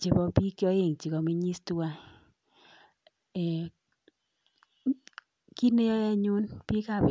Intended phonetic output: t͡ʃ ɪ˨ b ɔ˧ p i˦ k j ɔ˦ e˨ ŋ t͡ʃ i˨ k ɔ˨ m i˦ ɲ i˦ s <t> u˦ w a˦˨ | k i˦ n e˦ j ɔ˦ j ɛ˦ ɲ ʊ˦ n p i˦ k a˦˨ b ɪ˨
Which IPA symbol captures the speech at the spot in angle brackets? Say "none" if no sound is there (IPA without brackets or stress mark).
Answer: t